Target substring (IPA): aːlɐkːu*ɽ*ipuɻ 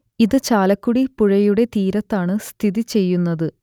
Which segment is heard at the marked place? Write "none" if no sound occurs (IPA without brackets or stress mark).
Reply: ɽ